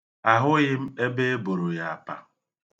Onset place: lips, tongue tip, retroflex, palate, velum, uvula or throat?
throat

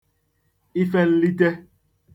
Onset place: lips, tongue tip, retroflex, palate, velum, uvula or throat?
lips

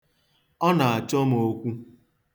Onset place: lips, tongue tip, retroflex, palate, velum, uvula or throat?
tongue tip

